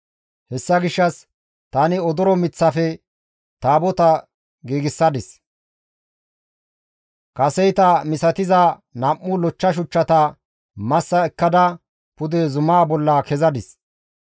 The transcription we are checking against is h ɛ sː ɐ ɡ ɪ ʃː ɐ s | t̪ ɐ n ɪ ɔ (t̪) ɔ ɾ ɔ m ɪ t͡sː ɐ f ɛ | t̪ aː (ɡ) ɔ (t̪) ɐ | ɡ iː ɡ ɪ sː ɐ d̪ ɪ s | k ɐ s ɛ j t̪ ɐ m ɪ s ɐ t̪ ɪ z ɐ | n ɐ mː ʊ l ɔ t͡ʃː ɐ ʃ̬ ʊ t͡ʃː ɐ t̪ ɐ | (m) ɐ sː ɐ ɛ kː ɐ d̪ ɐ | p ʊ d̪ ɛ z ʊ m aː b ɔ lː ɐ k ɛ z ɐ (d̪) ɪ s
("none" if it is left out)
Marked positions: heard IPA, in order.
d̪, b, t̪, m, d̪

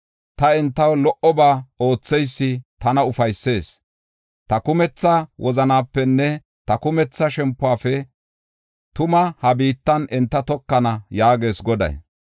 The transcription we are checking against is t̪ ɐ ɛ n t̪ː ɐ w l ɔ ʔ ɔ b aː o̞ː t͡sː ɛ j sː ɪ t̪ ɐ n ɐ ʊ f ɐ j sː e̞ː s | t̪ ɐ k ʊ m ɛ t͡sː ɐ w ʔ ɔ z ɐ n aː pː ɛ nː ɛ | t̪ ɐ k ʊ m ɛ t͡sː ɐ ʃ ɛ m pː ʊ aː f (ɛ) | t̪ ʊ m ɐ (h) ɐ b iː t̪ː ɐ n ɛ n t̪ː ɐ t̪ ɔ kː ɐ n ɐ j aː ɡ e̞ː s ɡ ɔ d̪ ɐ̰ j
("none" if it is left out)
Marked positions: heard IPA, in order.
ɛ, h

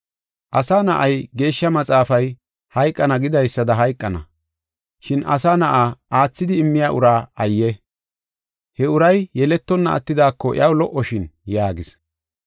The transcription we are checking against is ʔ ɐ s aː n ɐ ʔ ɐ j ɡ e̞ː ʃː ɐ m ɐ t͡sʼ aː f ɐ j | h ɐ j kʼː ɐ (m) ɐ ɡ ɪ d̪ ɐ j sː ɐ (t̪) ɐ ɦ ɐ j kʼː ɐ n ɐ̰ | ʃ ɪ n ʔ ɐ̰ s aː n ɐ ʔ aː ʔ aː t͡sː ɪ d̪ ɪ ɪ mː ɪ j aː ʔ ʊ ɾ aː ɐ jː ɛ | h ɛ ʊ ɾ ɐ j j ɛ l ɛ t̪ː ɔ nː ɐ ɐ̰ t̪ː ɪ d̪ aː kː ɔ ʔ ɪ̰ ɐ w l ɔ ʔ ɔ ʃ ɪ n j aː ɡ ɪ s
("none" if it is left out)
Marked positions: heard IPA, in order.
n, d̪

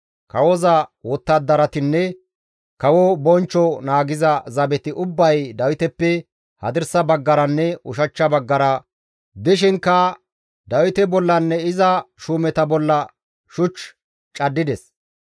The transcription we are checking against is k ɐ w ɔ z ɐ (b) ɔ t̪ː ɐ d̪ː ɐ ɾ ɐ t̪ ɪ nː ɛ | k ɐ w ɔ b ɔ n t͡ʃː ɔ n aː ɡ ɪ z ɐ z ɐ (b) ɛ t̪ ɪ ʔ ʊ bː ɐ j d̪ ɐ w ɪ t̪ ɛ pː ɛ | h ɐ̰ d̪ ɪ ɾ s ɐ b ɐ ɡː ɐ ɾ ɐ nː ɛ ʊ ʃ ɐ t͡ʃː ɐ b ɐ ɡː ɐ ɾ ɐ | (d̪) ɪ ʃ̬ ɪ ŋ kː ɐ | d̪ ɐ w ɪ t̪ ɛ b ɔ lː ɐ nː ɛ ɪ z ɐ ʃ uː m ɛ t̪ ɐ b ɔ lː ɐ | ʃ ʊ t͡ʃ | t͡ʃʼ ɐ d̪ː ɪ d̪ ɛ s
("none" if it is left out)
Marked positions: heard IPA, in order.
w, b, d̪

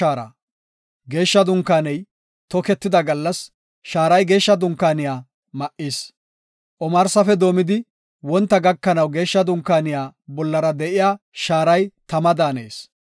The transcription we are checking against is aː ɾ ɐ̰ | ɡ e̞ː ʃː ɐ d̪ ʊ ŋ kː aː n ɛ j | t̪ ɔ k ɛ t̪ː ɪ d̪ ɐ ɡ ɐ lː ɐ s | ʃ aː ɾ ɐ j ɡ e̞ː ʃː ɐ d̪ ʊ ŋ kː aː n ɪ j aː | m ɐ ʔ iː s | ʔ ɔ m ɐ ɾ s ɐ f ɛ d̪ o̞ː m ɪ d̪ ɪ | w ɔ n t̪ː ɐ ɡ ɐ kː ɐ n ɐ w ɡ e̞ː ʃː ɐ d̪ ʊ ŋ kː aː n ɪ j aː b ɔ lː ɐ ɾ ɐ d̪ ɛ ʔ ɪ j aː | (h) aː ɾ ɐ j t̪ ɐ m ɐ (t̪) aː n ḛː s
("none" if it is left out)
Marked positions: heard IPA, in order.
ʃ, d̪

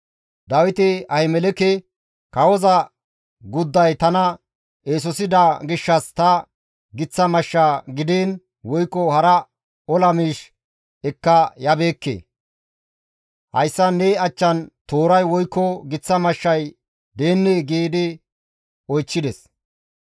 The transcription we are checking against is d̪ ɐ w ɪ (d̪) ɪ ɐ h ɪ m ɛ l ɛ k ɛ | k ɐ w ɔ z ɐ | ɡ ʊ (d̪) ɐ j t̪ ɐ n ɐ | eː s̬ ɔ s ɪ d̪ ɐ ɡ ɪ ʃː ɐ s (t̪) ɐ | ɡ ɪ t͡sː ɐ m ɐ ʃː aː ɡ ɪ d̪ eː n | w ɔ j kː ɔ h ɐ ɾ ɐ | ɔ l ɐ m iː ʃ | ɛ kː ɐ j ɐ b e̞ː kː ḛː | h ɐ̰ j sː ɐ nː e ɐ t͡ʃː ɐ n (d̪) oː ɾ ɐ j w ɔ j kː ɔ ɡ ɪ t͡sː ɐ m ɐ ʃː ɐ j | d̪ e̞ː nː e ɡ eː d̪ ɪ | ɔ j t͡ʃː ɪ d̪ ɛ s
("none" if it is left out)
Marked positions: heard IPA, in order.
t̪, d̪ː, t̪, t̪

